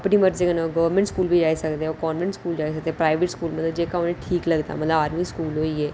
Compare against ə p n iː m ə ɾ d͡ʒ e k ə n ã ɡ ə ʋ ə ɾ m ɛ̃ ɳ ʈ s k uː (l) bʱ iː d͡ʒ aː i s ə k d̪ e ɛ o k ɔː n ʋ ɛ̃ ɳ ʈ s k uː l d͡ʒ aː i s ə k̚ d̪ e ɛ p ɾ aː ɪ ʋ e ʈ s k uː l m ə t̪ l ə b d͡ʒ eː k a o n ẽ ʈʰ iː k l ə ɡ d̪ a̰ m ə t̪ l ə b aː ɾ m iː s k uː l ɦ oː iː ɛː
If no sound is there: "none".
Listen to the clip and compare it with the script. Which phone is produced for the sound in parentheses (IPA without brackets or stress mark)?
l